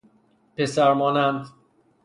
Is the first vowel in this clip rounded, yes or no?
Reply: no